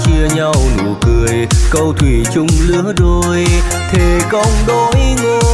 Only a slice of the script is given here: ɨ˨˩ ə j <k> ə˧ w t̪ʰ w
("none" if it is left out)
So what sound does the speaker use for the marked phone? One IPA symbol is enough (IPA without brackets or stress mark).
k